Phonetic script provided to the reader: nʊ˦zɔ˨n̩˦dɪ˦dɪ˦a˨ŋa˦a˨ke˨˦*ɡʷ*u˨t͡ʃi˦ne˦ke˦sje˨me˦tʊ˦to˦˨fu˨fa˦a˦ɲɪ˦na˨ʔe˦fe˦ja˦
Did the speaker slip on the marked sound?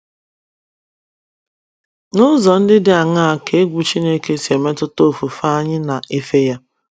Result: no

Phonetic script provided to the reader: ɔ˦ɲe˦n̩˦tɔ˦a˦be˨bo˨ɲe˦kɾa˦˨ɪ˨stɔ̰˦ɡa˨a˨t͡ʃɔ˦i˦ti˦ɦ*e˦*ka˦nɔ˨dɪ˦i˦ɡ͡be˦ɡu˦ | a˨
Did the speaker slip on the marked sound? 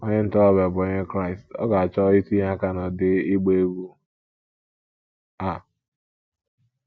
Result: yes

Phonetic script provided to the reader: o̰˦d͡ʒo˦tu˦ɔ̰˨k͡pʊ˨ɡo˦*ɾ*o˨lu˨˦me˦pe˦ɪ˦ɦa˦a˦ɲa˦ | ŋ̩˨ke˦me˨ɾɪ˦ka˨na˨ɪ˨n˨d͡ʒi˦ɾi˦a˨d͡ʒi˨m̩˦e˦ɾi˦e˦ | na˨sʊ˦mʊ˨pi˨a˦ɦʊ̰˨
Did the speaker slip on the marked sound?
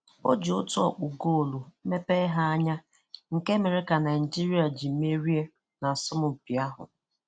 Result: yes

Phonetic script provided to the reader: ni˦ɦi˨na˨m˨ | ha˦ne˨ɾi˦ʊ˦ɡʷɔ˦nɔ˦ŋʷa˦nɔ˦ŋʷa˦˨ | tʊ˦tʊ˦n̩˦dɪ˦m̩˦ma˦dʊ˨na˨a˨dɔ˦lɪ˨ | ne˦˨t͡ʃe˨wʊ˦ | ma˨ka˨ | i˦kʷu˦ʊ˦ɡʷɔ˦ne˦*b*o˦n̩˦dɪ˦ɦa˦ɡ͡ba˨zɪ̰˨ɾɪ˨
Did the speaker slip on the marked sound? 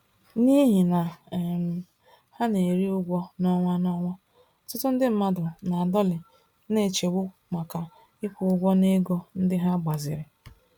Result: yes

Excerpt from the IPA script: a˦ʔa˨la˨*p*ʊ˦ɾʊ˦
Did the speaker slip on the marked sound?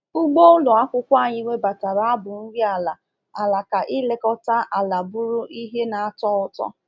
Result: yes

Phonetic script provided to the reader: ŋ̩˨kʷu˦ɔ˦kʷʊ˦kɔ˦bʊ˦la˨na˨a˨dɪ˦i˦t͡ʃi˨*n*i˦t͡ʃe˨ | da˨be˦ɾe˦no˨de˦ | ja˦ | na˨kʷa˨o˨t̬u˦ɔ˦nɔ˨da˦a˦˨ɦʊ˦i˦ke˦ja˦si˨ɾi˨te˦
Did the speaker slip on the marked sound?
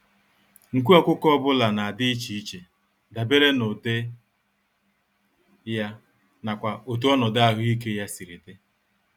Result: yes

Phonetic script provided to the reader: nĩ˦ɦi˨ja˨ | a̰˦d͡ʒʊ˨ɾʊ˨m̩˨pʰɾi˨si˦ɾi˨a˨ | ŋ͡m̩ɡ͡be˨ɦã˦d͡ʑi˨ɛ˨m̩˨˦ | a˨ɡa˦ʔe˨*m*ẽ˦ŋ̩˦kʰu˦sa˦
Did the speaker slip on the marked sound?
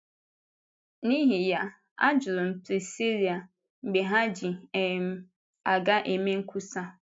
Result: no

